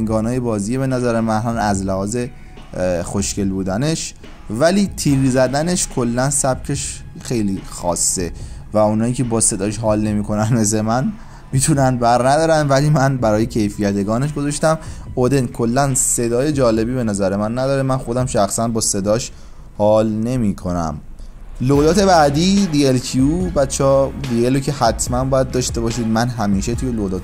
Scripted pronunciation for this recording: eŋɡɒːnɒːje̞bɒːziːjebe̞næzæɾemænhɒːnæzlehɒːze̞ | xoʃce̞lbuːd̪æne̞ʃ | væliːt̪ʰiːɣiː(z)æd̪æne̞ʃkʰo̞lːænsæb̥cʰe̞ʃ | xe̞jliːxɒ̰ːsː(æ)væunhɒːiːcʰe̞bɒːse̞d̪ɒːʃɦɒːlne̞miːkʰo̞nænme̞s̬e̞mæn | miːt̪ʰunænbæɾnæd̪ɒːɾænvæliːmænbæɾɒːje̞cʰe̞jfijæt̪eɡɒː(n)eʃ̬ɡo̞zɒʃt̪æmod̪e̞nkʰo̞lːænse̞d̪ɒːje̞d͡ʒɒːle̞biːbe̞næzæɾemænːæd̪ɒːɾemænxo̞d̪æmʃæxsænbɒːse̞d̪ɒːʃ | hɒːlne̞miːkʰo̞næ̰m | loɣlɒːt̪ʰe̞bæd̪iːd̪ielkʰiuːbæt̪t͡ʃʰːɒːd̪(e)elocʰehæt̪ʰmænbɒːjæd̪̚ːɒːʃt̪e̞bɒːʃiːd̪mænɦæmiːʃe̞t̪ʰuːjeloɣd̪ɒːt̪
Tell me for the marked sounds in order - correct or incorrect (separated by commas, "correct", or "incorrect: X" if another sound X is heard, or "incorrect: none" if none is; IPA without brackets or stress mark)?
correct, incorrect: e, correct, incorrect: i